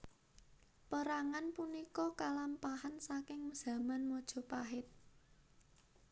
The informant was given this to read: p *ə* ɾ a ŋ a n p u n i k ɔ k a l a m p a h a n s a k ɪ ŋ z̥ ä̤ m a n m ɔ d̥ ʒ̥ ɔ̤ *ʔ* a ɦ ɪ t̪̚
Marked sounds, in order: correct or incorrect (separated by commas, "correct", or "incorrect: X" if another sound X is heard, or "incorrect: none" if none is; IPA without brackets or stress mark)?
correct, incorrect: p